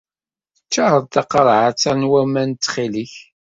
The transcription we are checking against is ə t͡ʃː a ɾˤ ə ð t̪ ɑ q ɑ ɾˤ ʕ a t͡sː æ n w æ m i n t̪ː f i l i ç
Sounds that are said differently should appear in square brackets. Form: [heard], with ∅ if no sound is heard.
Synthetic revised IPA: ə t͡ʃː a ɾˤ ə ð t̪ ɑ q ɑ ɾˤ ʕ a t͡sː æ n w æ m [æ] n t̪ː [χ] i l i ç